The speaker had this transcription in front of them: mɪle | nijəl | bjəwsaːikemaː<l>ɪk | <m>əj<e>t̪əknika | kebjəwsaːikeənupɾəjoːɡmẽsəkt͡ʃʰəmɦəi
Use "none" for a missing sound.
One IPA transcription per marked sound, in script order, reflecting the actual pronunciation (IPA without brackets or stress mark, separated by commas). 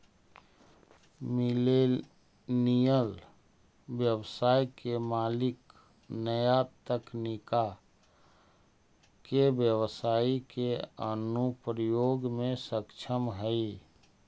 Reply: l, n, a